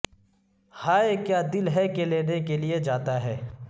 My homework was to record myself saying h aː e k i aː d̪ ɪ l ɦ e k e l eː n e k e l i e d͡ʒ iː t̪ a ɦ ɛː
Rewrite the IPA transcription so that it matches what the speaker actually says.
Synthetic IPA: h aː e k j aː d̪ ɪ l ɦ ɛ k e l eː n e k e l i e d͡ʒ aː t̪ a ɦ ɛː